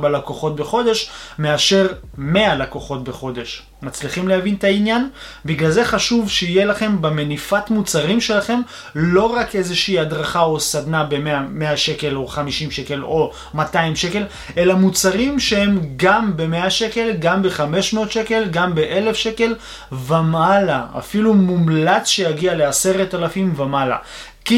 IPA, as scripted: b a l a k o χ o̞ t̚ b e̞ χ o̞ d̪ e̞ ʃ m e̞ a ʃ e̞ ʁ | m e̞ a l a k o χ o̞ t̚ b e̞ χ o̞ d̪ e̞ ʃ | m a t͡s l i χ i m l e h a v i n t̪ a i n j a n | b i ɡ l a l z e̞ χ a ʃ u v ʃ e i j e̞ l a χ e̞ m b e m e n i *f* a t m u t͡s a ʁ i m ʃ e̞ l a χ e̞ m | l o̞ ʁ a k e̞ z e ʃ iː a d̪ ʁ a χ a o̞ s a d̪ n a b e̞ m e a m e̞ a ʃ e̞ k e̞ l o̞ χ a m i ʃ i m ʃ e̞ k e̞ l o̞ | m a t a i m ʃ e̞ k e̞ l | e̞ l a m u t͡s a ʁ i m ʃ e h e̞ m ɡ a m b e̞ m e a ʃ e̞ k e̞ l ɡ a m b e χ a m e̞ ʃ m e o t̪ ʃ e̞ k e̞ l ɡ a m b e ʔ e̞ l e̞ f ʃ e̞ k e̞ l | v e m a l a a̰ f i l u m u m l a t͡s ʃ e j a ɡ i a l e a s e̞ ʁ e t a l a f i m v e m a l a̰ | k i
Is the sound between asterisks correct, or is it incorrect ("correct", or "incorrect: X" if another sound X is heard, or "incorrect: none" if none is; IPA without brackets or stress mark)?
correct